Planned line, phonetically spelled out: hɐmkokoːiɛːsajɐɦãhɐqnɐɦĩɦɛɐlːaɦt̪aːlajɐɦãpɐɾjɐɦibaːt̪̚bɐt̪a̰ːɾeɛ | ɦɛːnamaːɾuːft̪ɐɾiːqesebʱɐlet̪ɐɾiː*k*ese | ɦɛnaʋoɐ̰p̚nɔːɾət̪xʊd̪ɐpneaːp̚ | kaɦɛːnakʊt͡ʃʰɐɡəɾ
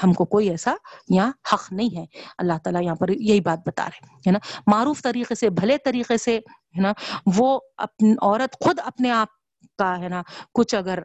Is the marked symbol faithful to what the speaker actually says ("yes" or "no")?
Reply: no